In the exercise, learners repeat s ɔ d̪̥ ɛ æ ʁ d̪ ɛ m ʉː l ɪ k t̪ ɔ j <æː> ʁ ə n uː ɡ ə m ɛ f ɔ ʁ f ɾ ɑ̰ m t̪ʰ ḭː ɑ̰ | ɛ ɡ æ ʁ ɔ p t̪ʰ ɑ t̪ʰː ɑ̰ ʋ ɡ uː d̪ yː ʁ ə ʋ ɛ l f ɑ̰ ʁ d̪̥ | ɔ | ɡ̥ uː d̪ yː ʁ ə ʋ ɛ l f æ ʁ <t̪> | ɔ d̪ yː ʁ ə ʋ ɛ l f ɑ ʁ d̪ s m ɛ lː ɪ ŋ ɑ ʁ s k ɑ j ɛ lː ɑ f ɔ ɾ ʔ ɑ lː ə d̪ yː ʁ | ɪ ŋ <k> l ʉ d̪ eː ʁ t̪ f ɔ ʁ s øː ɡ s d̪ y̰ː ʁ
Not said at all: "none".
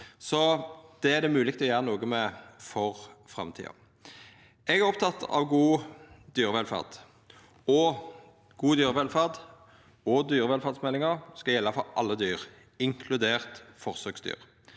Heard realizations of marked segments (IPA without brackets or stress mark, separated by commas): æː, d̪, kʰ